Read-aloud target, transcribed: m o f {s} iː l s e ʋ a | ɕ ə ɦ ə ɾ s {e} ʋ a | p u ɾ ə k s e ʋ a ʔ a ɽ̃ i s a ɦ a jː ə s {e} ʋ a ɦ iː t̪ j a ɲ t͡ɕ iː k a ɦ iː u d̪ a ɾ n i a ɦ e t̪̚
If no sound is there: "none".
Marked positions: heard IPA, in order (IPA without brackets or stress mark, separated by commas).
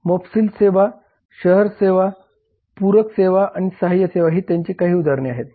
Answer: s, e, e